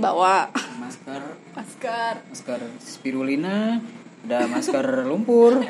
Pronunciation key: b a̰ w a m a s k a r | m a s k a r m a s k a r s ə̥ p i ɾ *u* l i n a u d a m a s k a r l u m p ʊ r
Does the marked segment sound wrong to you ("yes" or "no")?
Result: no